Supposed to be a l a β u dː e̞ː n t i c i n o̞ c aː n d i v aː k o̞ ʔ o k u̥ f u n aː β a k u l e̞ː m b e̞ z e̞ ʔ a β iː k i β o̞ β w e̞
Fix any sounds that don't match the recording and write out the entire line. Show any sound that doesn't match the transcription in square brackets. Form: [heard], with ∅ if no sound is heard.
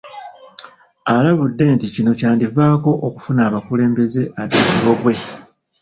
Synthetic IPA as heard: a l a β u dː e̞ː n t i c i n o̞ c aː n d i v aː k o̞ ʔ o k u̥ f u n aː β a k u l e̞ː m b e̞ z e̞ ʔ a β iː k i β o̞ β w e̞